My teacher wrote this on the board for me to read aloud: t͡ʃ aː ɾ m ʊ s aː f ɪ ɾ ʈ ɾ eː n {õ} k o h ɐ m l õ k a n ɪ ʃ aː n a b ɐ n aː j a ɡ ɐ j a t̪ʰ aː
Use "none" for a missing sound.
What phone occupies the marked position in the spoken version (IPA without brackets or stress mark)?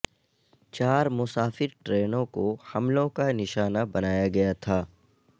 õ